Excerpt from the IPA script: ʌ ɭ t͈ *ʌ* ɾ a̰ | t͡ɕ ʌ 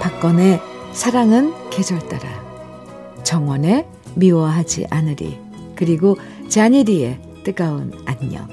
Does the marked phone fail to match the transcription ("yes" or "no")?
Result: yes